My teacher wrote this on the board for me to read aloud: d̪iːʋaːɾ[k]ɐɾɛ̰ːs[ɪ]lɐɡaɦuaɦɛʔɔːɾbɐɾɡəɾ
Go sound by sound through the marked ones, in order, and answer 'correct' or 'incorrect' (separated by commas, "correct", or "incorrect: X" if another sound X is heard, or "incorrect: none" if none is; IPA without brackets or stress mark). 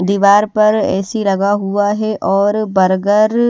incorrect: p, incorrect: i